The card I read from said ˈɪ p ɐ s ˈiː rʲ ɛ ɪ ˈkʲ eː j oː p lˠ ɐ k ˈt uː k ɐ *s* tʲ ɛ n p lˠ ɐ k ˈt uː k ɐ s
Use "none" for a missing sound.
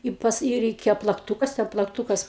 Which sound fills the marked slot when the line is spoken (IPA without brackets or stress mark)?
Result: s